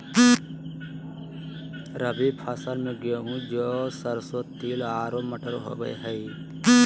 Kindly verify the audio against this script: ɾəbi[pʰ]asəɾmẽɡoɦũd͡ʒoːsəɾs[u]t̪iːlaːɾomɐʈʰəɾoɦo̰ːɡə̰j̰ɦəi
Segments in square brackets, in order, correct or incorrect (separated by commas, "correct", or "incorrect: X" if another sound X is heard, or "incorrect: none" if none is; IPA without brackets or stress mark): correct, incorrect: o